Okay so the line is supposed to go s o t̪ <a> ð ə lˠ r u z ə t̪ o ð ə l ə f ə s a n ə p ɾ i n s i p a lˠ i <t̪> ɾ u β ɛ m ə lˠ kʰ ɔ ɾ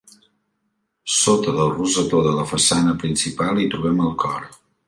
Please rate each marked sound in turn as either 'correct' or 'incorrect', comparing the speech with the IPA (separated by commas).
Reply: incorrect, correct